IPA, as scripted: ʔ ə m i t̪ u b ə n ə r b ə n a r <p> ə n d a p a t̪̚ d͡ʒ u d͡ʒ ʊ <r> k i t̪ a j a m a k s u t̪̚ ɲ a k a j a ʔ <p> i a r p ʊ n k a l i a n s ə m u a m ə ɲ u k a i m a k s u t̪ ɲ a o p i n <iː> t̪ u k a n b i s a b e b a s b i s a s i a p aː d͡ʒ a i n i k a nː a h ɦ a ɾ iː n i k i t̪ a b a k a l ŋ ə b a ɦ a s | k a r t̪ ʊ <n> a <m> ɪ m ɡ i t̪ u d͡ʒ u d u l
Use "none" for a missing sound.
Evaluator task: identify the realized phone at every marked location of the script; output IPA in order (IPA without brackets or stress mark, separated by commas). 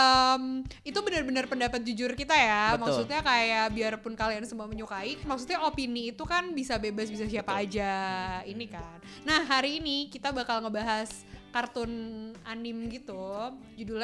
p, r, b, iː, n, n